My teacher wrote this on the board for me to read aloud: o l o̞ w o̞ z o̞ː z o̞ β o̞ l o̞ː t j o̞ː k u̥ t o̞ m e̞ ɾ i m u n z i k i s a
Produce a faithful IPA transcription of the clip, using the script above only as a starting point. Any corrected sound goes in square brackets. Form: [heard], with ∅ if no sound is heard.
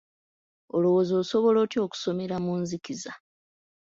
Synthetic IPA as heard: o l o̞ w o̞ z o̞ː [s] o̞ β o̞ l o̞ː t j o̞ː k u̥ [s] o̞ m e̞ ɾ [a] m u n z i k i [z] a